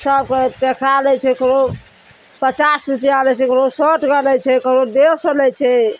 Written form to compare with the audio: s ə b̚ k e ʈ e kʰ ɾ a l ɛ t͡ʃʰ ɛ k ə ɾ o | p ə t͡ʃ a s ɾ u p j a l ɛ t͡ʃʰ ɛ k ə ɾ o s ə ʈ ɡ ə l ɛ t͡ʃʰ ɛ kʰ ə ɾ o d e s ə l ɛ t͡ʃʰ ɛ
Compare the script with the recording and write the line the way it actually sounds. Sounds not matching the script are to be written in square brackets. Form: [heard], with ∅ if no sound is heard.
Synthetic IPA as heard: s ə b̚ k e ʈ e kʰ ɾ a l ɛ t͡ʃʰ ɛ k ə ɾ o | p ə t͡ʃ a s ɾ u p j a l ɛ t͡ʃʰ ɛ k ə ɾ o s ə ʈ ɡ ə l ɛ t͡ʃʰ ɛ [k] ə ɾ o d e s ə l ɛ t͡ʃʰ ɛ